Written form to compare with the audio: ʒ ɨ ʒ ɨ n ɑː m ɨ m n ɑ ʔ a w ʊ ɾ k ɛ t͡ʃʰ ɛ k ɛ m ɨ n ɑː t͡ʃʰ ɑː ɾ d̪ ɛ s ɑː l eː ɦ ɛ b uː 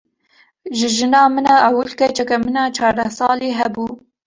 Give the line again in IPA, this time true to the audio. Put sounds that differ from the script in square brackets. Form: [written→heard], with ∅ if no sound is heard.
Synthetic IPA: ʒ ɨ ʒ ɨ n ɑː m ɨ [m→∅] n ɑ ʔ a w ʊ [ɾ→l] k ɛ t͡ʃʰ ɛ k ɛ m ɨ n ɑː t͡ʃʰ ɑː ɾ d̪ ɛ s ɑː l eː ɦ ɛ b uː